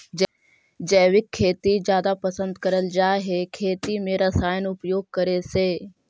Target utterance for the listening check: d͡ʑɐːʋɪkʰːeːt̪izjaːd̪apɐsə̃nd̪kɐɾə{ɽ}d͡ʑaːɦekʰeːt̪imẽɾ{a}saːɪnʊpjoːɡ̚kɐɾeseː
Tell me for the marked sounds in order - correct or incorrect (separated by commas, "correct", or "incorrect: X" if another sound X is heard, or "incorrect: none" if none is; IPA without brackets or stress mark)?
incorrect: l, incorrect: ɐ